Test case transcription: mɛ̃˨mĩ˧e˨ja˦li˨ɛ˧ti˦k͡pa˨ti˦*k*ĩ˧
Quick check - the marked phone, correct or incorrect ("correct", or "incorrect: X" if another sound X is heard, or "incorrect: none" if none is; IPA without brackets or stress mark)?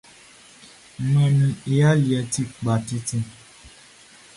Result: incorrect: t